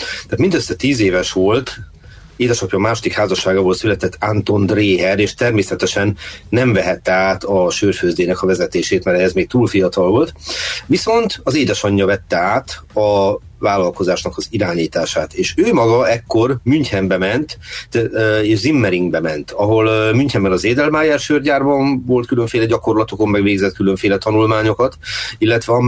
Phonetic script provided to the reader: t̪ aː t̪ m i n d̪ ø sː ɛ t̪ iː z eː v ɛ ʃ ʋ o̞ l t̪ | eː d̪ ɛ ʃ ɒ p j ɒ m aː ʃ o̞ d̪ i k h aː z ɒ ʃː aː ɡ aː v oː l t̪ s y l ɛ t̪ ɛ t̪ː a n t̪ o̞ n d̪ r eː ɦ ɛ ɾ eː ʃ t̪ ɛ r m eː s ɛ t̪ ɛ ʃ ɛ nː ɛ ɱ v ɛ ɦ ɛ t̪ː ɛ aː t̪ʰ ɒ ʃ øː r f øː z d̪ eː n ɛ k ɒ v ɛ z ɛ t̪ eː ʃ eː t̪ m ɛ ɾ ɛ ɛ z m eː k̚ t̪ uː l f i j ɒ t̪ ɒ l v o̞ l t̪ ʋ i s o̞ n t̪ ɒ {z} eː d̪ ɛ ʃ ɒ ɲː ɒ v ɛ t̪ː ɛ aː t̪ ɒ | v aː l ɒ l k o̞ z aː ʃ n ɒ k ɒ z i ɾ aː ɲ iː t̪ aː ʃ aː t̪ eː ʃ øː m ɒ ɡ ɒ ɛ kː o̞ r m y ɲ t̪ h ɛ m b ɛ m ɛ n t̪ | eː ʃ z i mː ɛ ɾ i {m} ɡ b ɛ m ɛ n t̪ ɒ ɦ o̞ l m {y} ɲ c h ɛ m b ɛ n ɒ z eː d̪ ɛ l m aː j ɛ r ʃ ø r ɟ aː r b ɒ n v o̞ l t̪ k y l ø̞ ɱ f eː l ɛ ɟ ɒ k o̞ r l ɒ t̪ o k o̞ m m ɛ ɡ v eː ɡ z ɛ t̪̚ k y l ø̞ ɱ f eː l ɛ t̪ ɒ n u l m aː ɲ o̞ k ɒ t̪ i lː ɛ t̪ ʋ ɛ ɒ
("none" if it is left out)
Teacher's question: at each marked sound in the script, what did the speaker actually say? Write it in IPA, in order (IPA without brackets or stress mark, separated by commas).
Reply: z, ŋ, y